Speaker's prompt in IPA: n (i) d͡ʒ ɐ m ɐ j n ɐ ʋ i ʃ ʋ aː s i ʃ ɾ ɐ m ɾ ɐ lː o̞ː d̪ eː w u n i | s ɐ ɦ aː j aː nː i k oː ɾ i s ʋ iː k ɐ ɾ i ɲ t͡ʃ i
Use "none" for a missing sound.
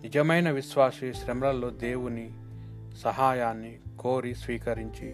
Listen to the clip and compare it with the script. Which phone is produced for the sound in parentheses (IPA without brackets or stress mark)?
i